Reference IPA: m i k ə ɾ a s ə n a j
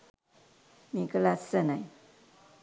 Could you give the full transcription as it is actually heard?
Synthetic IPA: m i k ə l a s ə n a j